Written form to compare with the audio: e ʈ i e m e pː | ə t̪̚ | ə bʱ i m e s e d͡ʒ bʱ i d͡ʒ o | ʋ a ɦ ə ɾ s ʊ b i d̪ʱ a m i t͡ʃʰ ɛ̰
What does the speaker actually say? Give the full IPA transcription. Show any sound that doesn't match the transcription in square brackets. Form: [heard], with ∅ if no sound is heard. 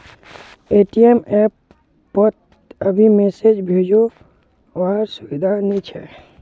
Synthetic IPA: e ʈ i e m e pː | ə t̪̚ | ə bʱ i m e s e d͡ʒ bʱ [e] d͡ʒ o | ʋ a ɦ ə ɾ s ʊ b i d̪ʱ a [n] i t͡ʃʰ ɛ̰